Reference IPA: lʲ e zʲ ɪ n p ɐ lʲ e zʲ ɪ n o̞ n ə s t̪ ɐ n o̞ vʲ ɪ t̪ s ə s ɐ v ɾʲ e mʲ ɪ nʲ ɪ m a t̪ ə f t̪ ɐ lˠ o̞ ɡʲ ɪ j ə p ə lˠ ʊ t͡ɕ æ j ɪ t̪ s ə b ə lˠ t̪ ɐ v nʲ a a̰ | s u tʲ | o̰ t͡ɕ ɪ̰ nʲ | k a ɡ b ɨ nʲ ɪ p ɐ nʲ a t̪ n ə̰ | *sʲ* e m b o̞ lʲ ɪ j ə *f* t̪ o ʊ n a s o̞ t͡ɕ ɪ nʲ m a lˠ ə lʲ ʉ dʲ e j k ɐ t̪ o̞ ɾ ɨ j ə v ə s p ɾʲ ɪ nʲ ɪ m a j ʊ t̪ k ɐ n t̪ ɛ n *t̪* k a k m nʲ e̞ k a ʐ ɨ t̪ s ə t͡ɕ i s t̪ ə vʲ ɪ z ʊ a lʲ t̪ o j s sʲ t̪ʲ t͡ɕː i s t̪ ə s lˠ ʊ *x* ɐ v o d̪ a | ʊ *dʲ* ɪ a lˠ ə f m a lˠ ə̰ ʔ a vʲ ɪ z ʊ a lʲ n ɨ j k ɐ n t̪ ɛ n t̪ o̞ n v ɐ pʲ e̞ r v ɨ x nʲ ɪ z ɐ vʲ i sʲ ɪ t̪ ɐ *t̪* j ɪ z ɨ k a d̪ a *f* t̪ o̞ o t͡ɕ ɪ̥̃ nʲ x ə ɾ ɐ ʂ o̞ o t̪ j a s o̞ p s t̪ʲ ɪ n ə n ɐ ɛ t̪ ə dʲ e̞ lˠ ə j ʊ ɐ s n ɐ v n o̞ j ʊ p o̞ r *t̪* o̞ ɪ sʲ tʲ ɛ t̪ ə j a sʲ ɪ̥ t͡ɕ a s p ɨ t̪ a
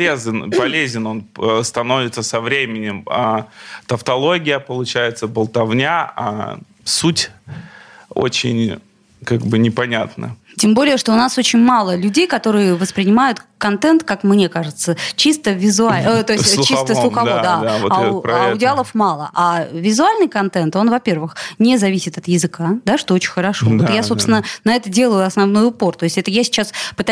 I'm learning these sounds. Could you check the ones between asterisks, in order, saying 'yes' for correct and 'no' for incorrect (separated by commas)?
no, no, yes, yes, yes, yes, no, yes